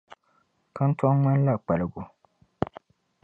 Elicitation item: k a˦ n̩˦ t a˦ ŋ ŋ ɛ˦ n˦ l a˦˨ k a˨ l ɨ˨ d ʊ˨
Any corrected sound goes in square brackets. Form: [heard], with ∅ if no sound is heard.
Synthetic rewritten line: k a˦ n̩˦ t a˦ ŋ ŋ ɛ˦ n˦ l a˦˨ [k͡p] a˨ l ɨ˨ [ɡ] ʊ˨